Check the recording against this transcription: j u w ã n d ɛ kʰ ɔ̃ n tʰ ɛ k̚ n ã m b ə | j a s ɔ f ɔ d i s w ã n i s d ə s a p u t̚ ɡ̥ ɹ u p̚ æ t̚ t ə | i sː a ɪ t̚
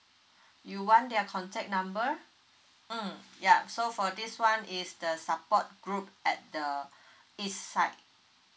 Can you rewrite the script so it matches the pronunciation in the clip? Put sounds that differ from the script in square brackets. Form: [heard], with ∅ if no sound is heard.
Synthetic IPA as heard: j u w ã n d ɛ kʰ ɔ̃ n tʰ ɛ k̚ n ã m b ə | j a s [o] f ɔ d i s w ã n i s d ə s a p [ɔ] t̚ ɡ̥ ɹ u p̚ [ɛ] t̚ [d] ə | i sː a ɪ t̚

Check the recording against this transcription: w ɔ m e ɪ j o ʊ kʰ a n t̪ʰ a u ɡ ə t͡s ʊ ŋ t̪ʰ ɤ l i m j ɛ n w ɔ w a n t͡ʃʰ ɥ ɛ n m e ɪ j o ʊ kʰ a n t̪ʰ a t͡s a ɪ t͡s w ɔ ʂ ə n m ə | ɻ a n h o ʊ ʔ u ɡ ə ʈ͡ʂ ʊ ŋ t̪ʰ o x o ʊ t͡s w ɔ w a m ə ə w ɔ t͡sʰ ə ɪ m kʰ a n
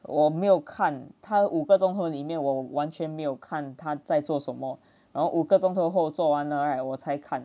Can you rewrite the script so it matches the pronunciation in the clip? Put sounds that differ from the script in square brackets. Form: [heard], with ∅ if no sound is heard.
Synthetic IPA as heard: w ɔ m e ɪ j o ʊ kʰ a n t̪ʰ a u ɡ ə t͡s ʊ ŋ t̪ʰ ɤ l i m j ɛ n w ɔ w a n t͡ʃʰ ɥ ɛ n m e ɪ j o ʊ kʰ a n t̪ʰ a t͡s a ɪ t͡s w ɔ ʂ ə n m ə | ɻ a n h o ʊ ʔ u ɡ ə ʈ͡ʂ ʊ ŋ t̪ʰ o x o ʊ t͡s w ɔ w a [n] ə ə w ɔ t͡sʰ [a] ɪ [∅] kʰ a n

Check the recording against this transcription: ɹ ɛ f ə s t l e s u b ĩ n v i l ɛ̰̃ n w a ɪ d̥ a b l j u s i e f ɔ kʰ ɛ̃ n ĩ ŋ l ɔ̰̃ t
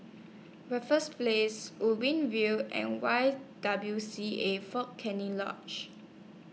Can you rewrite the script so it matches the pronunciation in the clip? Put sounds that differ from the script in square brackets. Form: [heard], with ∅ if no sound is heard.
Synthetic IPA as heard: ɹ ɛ f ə s [p] l e s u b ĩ n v i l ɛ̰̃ n w a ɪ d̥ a b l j u s i e f ɔ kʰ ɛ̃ n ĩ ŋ l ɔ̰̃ [t͡ʃ]

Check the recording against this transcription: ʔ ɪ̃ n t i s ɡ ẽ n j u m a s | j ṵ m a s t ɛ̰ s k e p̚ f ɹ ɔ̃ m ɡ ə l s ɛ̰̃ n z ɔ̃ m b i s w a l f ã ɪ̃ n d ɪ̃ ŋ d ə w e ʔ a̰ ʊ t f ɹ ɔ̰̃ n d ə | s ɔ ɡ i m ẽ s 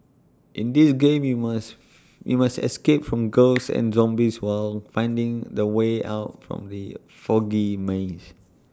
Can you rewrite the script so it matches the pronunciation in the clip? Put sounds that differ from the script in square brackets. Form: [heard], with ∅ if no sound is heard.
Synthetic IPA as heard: ʔ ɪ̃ n [d] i s ɡ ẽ [m] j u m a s | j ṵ m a s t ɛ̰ s k e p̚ f ɹ ɔ̃ m ɡ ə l s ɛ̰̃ n z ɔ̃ m b i s w a l f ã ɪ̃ n d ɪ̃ ŋ d ə w e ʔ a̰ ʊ t f ɹ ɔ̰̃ [m] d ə | [f] ɔ ɡ i m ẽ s

